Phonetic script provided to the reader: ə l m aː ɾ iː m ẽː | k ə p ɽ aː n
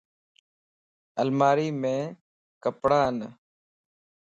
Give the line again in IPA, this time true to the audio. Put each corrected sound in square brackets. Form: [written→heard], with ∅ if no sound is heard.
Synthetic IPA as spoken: ə l m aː ɾ iː m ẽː | k ə p ɽ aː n